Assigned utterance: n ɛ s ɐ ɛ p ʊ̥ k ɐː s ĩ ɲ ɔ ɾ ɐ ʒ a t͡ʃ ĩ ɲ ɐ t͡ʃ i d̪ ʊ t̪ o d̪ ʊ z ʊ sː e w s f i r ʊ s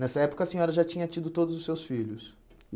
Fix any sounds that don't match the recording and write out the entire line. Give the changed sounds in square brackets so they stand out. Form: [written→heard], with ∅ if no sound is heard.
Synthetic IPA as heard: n ɛ s ɐ ɛ p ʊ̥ k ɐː s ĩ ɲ ɔ ɾ ɐ ʒ a t͡ʃ ĩ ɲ ɐ t͡ʃ i d̪ ʊ t̪ o d̪ ʊ z ʊ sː e w s f i [r→ʎ] ʊ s